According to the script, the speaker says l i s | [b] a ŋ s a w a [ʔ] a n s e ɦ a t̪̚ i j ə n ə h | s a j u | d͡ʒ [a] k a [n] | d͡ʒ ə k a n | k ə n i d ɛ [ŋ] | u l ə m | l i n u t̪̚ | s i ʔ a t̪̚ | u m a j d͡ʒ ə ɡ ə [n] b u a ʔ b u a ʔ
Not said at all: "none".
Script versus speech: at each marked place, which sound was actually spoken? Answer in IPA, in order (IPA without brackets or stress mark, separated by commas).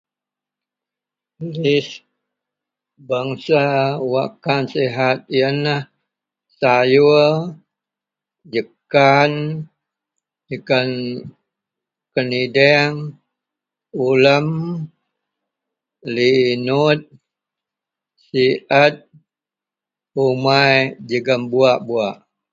b, k, ə, n, ŋ, m